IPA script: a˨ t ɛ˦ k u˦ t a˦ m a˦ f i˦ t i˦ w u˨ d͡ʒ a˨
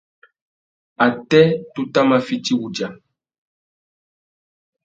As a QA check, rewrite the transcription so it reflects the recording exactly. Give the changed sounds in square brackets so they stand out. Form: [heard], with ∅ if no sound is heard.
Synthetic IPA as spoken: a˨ t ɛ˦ [t] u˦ t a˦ m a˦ f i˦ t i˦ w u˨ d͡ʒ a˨